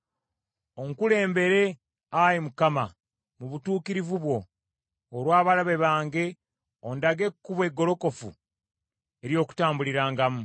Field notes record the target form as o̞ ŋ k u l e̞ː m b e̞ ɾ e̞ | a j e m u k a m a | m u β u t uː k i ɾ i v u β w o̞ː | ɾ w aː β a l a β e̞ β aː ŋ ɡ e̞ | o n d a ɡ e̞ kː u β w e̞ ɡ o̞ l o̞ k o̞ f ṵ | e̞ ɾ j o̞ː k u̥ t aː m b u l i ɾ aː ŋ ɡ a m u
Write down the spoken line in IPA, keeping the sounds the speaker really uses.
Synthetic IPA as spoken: o̞ ŋ k u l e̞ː m b e̞ ɾ e̞ | a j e m u k a m a | m u β u t uː k i ɾ i v u β w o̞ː | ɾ w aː β a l a β e̞ β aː ŋ ɡ e̞ | o n d a ɡ e̞ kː u β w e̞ ɡ o̞ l o̞ k o̞ f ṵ | e̞ ɾ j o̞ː k u̥ t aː m b u l i ɾ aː ŋ ɡ a m u

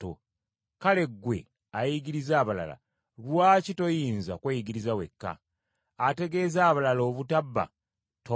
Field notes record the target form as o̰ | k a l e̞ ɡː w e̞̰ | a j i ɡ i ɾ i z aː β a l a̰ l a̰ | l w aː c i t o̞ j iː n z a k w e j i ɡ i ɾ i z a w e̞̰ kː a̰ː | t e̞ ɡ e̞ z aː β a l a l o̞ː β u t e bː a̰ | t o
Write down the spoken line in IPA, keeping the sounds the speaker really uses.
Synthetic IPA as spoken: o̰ | k a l e̞ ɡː w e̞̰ | a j i ɡ i ɾ i z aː β a l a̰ l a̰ | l w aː c i t o̞ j iː n z a k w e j i ɡ i ɾ i z a w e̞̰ kː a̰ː | t e̞ ɡ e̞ z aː β a l a l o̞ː β u t a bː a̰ | t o

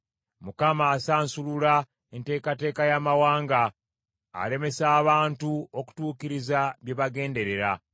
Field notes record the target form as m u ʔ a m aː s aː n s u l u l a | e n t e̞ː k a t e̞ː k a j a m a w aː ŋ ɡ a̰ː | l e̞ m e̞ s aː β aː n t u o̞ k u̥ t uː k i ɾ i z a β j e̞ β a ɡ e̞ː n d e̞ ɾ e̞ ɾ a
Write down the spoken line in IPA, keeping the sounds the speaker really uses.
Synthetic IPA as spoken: m u k a m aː s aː n s u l u l a | e n t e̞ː k a t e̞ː k a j a m a w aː ŋ ɡ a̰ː | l e̞ m e̞ s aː β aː n t u o̞ k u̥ t uː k i ɾ i z a β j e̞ β a ɡ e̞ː n d e̞ ɾ e̞ ɾ a

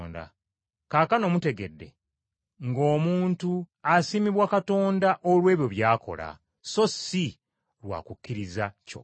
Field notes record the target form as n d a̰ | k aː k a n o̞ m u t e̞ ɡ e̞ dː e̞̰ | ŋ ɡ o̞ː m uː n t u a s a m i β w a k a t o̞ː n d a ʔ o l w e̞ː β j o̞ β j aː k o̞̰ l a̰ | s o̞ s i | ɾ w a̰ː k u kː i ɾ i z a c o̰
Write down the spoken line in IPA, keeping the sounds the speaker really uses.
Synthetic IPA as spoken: n d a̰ | k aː k a n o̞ m u t e̞ ɡ e̞ dː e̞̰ | ŋ ɡ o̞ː m uː n t u a s i m i β w a k a t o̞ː n d a ʔ o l w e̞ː β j o̞ β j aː k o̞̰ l a̰ | s o̞ s i | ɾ w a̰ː k u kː i ɾ i z a c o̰

